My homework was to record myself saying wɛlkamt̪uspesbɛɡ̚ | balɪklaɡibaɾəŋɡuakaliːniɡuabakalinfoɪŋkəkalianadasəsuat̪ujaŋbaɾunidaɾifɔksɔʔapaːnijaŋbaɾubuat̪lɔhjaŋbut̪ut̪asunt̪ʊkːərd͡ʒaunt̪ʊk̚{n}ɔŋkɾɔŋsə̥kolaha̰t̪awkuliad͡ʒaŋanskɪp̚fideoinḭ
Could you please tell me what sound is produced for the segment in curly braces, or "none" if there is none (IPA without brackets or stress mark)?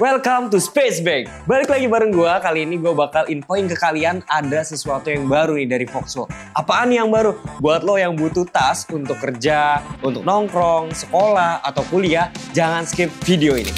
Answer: n